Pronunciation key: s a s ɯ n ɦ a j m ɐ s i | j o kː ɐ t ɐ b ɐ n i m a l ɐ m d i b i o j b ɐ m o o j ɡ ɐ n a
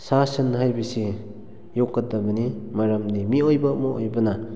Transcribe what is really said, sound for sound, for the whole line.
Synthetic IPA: s a s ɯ n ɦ a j b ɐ s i | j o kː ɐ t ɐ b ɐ n i m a ɾ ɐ m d i m i o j b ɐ m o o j b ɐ n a